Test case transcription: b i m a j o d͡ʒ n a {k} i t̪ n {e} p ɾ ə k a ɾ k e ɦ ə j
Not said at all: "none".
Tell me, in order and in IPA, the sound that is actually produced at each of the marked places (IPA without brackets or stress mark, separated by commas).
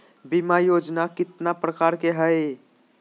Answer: k, a